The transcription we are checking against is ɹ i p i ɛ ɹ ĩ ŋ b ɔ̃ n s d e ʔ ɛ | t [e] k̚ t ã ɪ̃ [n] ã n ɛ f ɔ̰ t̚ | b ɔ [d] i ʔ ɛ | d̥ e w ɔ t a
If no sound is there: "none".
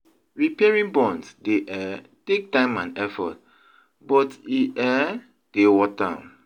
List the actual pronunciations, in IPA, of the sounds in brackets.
e, m, t

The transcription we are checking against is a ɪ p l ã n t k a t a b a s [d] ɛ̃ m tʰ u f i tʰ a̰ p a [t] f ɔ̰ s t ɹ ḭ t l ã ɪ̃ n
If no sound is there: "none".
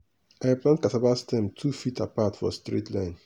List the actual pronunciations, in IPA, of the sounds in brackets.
t, t

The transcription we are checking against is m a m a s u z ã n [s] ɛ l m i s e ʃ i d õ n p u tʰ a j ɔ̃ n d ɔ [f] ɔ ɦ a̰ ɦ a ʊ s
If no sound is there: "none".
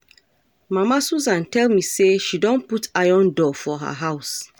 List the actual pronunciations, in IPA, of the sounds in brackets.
t, f

